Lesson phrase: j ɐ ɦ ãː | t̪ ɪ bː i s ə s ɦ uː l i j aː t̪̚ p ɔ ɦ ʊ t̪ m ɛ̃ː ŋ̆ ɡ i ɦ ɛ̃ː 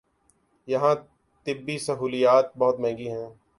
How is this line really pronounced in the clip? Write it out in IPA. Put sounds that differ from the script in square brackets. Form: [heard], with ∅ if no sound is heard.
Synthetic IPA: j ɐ ɦ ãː | t̪ ɪ bː i s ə [∅] ɦ uː l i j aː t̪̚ [b] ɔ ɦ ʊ t̪ m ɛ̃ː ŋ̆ ɡ i ɦ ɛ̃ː